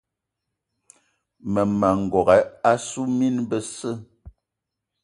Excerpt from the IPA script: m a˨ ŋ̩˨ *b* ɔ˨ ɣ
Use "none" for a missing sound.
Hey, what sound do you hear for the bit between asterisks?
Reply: ɡ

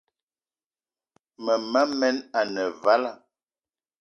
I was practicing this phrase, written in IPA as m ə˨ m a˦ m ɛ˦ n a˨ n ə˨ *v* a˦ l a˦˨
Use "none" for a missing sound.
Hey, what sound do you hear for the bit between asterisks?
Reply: v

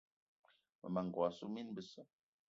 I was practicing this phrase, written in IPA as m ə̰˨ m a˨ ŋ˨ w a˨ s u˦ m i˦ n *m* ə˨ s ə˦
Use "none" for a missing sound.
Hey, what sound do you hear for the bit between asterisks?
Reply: b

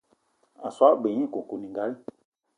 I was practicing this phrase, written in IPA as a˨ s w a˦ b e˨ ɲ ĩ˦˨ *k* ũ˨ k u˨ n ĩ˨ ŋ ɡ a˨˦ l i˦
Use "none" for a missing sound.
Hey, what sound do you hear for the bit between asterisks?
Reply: k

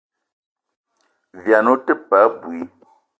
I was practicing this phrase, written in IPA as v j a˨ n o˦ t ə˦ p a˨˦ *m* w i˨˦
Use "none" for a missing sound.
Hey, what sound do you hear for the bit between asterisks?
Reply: b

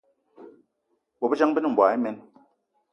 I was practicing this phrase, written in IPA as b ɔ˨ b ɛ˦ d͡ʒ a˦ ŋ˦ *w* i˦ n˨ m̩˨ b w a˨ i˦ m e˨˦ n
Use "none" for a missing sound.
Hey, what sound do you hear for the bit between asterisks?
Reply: b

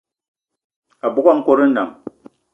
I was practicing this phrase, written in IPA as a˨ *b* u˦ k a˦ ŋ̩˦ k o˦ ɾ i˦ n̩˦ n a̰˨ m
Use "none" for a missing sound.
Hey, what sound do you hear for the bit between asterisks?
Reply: b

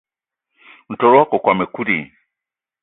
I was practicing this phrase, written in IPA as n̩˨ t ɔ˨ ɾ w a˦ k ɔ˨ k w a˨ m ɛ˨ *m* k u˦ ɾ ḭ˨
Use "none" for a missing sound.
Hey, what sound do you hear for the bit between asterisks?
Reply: none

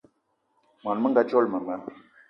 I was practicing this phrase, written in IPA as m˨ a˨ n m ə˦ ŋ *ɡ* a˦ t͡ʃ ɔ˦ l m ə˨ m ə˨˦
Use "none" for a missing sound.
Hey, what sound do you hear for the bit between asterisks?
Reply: ɡ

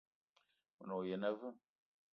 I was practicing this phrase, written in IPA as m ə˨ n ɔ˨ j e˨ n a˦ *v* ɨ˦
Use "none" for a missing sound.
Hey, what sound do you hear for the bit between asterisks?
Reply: v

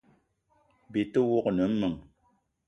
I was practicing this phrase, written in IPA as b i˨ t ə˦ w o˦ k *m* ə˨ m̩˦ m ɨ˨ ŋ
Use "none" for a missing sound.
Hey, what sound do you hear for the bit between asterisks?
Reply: n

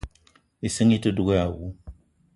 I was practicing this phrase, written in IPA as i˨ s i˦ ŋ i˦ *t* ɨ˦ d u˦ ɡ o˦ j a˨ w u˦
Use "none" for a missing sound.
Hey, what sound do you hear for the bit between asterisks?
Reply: t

